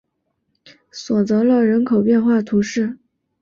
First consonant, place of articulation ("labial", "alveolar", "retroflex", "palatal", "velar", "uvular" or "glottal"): alveolar